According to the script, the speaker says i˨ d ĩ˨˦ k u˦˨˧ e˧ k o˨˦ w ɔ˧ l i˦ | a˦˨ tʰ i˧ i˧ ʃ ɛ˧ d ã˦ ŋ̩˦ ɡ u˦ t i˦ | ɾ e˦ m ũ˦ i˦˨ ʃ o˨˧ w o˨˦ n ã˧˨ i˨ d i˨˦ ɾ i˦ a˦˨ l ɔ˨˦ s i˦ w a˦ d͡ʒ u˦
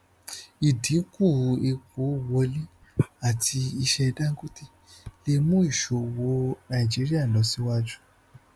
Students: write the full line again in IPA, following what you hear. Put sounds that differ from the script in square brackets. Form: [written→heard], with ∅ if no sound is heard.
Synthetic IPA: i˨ d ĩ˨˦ k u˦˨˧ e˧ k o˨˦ w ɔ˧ l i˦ | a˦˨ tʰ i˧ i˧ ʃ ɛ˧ d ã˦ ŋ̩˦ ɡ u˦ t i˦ | [ɾ→l] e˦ m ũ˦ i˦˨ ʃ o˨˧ w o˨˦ n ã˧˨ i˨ [d→d͡ʒ] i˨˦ ɾ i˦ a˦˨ l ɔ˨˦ s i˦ w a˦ d͡ʒ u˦